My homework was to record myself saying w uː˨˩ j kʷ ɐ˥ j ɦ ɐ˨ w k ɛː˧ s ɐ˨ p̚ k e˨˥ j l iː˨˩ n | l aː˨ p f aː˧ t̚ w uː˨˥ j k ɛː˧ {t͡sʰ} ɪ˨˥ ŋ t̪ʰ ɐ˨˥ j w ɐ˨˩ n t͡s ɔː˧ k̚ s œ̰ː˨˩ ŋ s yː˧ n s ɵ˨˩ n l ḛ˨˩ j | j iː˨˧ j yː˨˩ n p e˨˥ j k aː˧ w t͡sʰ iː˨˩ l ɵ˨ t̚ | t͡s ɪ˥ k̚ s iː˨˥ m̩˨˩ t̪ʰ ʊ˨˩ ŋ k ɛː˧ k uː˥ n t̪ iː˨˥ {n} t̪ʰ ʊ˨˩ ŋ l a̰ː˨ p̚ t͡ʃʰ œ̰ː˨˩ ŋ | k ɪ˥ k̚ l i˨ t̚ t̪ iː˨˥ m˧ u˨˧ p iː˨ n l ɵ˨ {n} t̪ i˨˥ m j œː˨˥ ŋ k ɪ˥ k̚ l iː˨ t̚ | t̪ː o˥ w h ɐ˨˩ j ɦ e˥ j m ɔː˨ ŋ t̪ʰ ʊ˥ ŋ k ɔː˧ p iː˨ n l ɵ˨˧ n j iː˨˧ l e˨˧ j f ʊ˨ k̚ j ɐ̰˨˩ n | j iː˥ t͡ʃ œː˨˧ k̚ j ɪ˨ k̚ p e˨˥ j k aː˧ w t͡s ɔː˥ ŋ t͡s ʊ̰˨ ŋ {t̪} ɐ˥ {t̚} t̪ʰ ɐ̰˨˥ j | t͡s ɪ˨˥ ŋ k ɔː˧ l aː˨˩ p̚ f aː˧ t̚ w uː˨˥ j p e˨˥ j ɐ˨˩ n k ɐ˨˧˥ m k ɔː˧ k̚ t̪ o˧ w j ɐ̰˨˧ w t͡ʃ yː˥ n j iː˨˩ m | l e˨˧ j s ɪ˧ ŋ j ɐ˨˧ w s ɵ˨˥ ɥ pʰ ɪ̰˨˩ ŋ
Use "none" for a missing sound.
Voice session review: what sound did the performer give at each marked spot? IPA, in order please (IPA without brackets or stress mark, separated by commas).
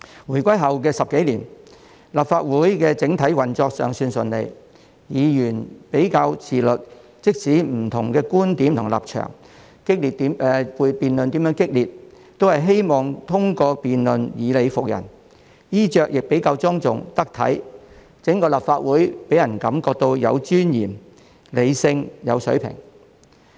t͡s, m, n, t̪, k̚